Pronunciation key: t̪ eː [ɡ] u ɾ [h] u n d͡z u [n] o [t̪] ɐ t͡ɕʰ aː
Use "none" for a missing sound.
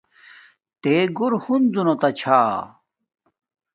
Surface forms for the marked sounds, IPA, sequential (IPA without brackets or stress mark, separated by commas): ɡ, h, n, t̪